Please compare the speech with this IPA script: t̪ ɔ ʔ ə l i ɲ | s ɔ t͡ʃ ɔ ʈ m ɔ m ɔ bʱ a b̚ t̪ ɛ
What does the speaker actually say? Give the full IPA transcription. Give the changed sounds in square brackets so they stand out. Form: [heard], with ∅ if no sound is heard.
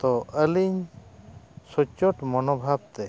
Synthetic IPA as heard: t̪ ɔ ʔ ə l i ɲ | s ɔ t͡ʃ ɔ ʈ m ɔ [n] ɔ bʱ a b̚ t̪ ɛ

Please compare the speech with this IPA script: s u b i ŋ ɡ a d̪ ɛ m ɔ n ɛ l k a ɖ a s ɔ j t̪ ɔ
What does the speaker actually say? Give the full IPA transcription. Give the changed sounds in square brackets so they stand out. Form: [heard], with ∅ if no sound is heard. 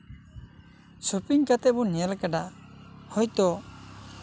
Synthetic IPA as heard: s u [p] i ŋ [k] a [t̪] ɛ [b] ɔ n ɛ l k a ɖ a [h] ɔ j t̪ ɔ

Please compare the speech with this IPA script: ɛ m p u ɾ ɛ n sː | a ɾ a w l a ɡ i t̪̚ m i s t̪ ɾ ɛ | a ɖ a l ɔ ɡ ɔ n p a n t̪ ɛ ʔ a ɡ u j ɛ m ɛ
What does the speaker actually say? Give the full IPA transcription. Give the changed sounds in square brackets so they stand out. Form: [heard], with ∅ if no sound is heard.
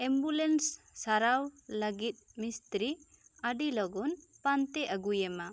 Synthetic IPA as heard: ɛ m [b] u [l] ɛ n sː | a ɾ a w l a ɡ i t̪̚ m i s t̪ ɾ [i] | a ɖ [i] l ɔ ɡ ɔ n p a n t̪ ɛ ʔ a ɡ u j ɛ m [a]

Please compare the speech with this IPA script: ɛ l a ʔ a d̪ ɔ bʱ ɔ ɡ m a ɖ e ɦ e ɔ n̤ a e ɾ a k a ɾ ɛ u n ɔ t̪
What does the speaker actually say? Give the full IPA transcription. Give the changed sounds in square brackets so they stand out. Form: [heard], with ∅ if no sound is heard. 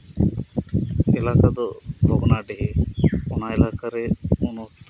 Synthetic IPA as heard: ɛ l a [k] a d̪ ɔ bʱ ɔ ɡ [n] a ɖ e ɦ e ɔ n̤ a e [l] a k a ɾ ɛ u n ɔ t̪

